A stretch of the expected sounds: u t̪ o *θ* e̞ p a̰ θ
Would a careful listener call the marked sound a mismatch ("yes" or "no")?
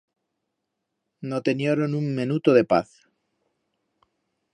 yes